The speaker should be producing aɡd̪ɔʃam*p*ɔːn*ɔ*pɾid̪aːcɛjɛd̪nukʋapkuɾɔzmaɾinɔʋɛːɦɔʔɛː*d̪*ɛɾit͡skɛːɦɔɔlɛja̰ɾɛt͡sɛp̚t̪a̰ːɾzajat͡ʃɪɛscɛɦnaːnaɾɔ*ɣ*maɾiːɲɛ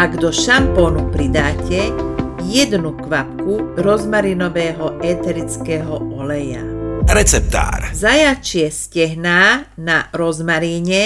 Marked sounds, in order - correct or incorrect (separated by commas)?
correct, incorrect, incorrect, incorrect